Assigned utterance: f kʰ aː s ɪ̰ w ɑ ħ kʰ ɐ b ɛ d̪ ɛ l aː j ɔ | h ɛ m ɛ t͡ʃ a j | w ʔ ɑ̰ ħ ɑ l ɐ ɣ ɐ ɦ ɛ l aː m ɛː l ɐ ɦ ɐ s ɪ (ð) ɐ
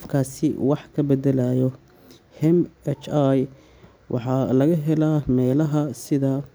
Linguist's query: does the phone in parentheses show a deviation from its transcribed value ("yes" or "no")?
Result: no